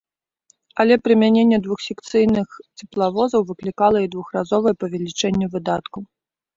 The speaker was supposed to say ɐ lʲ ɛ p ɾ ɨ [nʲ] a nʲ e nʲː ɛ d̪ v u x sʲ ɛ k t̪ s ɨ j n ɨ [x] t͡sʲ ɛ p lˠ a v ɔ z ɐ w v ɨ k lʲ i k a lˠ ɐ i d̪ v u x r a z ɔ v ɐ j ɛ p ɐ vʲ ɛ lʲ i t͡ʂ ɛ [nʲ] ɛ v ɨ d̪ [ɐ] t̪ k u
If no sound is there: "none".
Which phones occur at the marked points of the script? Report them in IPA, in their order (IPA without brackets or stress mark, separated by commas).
mʲ, x, nʲː, a